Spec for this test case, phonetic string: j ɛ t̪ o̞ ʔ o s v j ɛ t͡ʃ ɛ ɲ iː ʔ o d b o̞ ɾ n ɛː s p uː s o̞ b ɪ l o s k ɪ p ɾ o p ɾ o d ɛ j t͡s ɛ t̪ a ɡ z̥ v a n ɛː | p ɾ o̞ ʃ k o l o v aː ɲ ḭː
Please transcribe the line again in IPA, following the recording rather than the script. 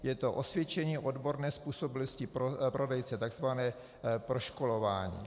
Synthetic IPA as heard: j ɛ t̪ o̞ ʔ o s v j ɛ t͡ʃ ɛ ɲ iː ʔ o d b o̞ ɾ n ɛː s p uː s o̞ b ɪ l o s c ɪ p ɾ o p ɾ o d ɛ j t͡s ɛ t̪ a ɡ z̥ v a n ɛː | p ɾ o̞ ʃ k o l o v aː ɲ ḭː

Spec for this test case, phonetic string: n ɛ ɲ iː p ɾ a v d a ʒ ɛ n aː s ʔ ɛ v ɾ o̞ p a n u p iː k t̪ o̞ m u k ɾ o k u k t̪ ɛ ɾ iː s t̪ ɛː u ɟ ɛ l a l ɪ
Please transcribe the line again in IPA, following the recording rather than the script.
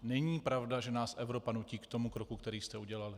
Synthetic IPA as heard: n ɛ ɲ iː p ɾ a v d a ʒ ɛ n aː s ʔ ɛ v ɾ o̞ p a n u c iː k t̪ o̞ m u k ɾ o k u k t̪ ɛ ɾ iː s t̪ ɛ u ɟ ɛ l a l ɪ

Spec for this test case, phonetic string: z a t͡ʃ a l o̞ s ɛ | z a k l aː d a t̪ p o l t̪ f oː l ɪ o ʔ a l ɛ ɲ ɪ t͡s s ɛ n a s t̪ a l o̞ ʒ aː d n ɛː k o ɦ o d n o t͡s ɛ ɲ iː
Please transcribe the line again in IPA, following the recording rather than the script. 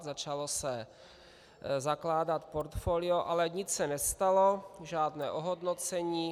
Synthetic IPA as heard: z a t͡ʃ a l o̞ s ɛ | z a k l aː d a t̪ p o ɾ t̪ f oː l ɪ o ʔ a l ɛ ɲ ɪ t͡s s ɛ n ɛ s t̪ a l o̞ ʒ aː d n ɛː ʔ o ɦ o d n o t͡s ɛ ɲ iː

